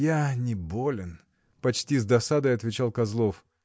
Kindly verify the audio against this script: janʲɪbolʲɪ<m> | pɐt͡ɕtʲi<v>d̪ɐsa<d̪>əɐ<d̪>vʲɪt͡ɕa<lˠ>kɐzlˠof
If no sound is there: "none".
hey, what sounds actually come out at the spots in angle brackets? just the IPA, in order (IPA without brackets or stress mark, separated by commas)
n, z, d̪, t̪, lˠ